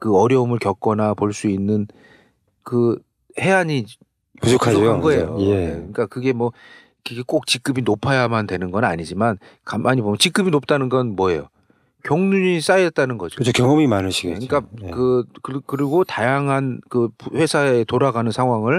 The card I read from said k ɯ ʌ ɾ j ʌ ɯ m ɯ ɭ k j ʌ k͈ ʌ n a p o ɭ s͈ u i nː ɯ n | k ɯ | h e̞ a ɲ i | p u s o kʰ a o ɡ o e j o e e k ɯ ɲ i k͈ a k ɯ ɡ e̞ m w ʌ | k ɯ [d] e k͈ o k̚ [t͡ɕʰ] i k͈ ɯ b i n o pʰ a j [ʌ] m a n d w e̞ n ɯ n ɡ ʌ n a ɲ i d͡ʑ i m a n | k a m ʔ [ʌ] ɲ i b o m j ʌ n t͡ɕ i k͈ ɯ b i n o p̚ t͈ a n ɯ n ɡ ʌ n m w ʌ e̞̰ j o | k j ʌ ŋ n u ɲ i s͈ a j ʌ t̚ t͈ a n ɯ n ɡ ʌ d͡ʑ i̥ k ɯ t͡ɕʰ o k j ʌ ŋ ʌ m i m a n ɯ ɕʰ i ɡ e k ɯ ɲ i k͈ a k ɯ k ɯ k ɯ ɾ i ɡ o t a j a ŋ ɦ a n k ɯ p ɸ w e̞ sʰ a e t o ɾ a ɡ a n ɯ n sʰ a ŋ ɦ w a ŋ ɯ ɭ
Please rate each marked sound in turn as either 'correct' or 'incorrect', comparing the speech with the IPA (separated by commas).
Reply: incorrect, incorrect, incorrect, incorrect